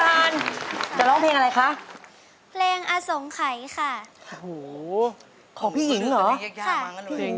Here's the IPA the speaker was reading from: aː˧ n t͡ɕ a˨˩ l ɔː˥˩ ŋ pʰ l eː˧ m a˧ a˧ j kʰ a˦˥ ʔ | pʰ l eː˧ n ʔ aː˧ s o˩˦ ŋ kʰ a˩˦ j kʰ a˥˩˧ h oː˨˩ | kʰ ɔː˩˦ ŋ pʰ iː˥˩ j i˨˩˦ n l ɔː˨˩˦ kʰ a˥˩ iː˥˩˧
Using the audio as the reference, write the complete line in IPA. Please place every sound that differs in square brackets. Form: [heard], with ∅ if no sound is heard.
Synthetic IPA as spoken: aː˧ n t͡ɕ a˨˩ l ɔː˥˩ ŋ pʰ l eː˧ [ŋ] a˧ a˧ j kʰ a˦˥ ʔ | pʰ l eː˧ [ŋ] ʔ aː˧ s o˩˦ ŋ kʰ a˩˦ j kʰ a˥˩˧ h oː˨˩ | kʰ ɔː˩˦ ŋ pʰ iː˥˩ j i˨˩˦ [ŋ] l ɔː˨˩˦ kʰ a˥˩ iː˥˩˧